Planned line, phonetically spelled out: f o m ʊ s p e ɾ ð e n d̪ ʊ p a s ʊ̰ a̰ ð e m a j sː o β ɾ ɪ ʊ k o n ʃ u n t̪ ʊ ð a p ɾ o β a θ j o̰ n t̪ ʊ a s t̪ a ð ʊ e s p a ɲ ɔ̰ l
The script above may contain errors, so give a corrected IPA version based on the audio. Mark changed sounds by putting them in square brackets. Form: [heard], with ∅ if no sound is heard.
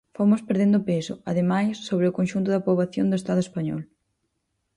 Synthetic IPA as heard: f o m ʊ s p e ɾ ð e n d̪ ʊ p [e] s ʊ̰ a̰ ð e m a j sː o β ɾ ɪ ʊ k o n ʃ u n t̪ ʊ ð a p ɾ o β a θ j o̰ n [d̪] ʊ [e] s t̪ a ð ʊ e s p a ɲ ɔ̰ l